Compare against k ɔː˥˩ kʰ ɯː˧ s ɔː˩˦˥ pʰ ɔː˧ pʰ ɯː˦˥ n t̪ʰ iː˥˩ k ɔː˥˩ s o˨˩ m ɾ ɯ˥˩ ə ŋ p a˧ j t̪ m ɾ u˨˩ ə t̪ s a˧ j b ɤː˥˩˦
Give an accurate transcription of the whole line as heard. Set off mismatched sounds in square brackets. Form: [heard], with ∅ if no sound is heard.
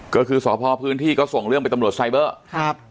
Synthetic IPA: k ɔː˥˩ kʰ ɯː˧ s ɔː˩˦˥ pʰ ɔː˧ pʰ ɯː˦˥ n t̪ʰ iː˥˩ k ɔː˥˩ s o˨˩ [ŋ] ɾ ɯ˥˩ ə ŋ p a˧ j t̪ m ɾ u˨˩ ə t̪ s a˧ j b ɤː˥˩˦